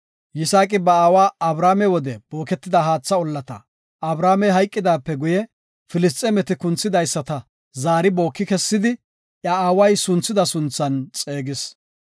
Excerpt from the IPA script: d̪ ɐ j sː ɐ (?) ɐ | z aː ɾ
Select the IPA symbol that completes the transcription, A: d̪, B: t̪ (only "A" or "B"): B